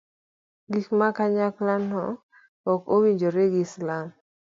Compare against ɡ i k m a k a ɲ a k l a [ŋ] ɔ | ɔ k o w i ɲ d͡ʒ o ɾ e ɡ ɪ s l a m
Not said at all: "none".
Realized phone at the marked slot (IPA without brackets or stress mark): n